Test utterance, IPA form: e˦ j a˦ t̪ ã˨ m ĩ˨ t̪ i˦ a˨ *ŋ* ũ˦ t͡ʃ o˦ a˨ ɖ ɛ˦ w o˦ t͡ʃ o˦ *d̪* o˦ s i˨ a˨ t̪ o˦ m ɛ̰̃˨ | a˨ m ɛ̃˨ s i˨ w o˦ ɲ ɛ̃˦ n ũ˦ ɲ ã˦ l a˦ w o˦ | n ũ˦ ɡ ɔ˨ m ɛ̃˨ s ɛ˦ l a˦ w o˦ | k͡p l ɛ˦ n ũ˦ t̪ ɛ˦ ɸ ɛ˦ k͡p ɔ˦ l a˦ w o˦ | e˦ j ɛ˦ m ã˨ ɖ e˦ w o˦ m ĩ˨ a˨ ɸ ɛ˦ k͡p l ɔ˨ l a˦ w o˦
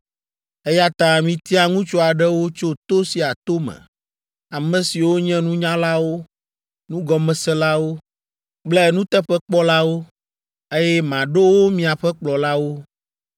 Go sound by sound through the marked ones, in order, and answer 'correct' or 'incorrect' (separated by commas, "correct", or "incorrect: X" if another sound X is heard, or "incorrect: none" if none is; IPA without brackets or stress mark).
correct, incorrect: t̪